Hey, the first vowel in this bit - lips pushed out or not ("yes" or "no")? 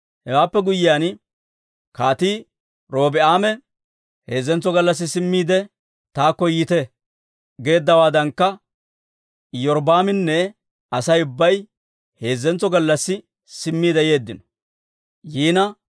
no